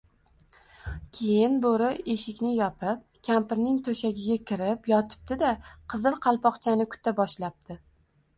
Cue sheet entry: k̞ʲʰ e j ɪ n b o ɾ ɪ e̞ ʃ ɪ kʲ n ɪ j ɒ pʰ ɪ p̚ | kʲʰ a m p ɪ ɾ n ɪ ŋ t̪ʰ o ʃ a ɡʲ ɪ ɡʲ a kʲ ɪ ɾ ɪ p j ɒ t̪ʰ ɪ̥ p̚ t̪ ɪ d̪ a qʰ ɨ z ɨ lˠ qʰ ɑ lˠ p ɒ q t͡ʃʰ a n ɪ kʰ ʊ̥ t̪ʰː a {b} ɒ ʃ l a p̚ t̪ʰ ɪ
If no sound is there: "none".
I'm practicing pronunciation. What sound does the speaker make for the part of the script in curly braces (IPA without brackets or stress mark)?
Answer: b